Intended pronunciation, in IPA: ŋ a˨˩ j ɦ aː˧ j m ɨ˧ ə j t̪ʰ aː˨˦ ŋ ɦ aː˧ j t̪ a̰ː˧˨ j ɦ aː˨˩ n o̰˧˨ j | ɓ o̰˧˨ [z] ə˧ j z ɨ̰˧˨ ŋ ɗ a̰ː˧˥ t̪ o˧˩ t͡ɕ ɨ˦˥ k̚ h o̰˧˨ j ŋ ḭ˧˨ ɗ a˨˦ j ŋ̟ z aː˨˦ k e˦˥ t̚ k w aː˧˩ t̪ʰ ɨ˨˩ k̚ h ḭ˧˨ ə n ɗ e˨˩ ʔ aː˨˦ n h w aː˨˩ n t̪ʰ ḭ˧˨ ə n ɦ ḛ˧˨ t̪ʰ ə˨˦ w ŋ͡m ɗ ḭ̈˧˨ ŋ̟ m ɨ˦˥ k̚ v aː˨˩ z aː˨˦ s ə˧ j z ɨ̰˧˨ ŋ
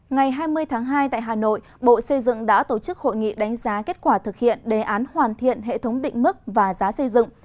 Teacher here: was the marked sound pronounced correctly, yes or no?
no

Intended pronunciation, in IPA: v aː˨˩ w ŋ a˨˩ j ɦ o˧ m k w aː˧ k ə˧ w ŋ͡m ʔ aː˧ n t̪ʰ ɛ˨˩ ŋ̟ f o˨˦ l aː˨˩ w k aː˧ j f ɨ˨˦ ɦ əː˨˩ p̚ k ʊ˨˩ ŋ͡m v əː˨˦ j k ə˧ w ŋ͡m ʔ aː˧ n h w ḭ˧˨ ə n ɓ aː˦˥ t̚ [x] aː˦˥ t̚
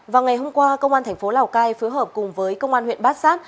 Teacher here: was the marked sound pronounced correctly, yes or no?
no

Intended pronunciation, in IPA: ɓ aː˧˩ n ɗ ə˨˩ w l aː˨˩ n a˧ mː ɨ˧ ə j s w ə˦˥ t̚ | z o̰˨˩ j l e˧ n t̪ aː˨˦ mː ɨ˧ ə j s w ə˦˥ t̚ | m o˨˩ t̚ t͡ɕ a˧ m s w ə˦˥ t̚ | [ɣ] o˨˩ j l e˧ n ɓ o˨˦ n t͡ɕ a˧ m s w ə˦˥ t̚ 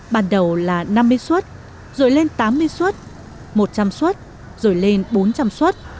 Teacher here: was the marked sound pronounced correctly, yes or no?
no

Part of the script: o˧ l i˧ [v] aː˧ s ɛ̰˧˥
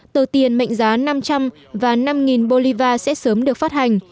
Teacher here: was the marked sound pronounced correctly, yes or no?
yes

